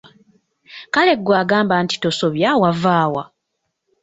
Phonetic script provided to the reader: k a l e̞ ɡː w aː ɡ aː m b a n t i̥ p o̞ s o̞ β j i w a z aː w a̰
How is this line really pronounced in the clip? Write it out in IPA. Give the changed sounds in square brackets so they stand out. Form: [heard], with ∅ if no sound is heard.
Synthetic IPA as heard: k a l e̞ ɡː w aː ɡ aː m b a n t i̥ [t] o̞ s o̞ β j [a] w a [v] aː w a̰